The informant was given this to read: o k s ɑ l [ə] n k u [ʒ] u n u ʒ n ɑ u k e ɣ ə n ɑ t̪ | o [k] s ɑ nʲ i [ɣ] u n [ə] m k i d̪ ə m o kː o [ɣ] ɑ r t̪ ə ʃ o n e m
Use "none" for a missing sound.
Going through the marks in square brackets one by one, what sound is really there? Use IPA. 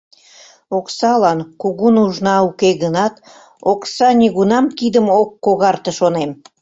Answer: ɑ, ɣ, k, ɣ, ɑ, ɣ

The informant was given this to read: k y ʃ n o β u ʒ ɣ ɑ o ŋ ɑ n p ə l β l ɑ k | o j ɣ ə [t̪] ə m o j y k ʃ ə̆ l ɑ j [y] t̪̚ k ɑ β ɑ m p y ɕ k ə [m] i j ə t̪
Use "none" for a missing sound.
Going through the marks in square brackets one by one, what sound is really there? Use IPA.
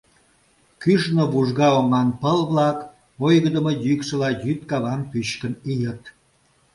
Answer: d̪, y, n

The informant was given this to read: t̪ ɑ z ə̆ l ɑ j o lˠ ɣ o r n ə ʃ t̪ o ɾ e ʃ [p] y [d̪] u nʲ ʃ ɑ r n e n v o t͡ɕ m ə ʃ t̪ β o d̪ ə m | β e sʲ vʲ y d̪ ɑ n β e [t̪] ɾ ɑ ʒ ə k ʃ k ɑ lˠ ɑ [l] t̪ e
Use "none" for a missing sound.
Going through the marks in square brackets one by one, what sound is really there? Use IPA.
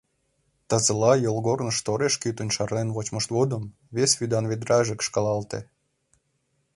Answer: k, t̪, d̪, l

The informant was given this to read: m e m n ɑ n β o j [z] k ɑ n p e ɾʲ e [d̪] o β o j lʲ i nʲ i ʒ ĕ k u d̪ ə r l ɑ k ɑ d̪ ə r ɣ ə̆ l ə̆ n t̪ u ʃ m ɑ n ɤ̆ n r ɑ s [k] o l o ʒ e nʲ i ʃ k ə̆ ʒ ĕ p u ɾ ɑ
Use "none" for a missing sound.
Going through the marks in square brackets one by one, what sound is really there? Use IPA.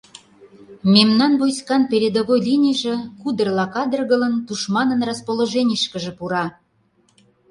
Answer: s, d̪, p

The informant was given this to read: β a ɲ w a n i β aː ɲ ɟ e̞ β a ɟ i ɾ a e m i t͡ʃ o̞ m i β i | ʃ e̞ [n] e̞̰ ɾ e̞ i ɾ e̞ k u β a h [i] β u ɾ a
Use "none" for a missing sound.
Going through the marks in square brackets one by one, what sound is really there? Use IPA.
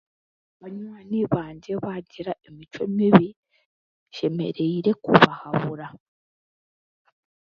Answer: m, a

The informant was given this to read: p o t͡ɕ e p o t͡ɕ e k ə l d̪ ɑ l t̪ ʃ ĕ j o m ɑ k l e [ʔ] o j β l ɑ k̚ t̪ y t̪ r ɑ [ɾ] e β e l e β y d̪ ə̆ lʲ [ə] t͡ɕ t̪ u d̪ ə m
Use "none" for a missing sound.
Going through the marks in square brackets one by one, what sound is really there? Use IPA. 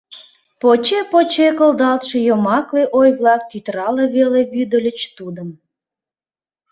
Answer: ʔ, l, ə

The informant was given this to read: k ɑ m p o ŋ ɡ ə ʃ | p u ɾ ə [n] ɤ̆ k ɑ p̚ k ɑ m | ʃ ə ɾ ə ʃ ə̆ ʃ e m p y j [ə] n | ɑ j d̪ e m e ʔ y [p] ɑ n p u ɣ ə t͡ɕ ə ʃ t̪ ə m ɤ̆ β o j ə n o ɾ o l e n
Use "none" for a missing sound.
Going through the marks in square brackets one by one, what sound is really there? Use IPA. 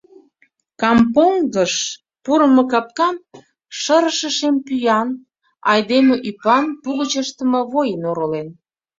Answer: m, ɑ, p

